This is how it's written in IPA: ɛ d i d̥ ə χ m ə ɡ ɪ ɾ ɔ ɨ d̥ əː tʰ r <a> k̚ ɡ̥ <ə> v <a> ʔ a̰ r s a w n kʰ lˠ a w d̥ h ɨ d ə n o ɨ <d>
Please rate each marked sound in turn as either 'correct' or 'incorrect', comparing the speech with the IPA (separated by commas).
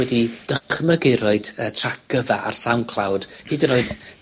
correct, correct, correct, correct